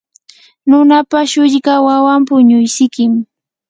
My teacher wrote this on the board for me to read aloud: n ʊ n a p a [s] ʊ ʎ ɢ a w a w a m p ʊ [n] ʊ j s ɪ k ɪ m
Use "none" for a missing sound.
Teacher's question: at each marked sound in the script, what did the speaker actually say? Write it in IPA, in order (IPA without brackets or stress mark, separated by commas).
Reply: ʃ, ɲ